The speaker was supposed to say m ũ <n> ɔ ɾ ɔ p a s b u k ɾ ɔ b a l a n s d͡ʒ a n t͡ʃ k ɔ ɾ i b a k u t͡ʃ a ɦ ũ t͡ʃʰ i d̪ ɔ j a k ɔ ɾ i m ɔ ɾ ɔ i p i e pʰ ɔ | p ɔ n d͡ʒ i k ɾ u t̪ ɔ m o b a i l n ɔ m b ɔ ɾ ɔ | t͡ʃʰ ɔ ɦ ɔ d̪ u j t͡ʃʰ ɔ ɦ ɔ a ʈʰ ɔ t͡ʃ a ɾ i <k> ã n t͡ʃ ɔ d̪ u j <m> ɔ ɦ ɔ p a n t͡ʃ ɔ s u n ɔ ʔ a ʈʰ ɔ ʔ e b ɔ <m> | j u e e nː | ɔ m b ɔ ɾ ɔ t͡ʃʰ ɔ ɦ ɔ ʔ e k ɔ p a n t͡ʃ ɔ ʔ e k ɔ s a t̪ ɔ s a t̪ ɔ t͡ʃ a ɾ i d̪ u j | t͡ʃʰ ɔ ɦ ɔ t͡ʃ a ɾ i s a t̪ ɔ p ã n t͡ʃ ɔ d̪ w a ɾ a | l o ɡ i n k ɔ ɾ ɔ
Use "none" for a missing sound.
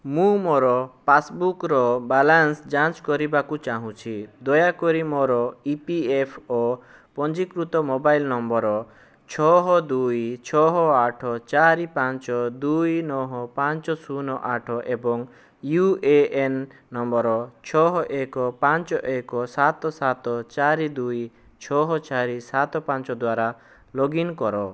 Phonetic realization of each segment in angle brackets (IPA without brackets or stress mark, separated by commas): m, p, n, ŋ